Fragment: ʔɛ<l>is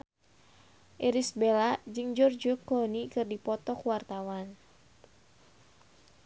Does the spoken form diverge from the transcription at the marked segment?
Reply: yes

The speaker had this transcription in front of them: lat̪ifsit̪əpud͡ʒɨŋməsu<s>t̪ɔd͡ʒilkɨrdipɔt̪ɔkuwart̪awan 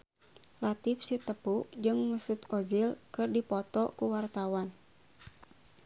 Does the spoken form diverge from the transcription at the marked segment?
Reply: yes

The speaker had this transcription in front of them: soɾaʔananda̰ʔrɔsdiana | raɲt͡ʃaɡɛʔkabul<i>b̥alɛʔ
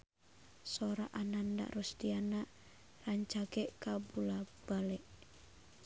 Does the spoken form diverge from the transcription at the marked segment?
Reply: yes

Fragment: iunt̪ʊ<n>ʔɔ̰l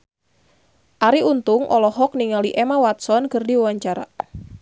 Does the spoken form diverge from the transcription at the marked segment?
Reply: yes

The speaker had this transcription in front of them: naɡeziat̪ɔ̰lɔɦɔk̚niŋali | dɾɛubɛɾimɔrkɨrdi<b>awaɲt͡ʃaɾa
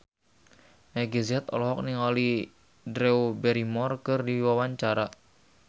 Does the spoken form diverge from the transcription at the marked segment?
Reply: yes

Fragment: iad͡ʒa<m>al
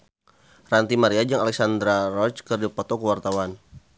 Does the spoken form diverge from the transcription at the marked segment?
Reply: yes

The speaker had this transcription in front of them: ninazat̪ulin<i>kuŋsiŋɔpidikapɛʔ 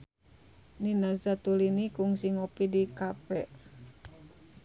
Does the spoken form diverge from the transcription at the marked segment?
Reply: no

